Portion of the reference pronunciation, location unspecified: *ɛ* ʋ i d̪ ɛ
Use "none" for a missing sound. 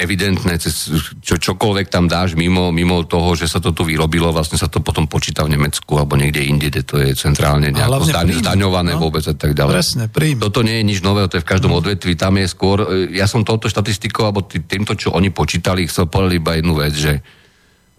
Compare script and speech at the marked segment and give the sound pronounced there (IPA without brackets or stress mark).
ɛ